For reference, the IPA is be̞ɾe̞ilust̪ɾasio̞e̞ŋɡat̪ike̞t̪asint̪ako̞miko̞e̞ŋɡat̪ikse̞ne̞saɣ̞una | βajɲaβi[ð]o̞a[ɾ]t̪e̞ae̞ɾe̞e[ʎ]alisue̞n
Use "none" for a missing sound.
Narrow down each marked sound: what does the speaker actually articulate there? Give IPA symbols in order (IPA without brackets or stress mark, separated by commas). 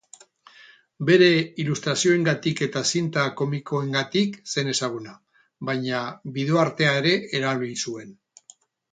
ð, ɾ, ɾ